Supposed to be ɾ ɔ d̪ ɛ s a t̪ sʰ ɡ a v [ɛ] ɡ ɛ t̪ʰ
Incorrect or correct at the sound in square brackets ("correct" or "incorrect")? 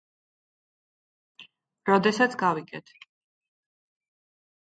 incorrect